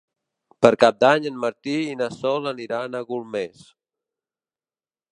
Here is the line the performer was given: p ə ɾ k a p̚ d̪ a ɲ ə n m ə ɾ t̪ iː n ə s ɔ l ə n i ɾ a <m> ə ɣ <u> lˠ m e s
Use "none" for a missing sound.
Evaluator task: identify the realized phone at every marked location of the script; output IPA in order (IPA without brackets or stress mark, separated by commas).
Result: n, u